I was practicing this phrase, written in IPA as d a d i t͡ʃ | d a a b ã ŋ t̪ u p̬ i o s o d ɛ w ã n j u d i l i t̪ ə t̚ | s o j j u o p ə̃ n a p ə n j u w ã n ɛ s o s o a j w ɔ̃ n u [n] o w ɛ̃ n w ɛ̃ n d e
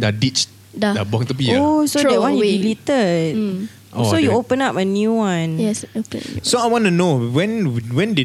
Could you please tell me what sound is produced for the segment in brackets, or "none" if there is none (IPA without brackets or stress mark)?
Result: n